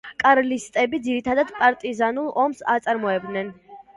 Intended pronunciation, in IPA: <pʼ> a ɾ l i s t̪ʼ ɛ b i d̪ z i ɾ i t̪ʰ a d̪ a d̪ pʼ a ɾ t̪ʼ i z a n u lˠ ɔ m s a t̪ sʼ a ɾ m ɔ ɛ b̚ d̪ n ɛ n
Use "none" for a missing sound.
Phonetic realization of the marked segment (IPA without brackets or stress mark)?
kʼ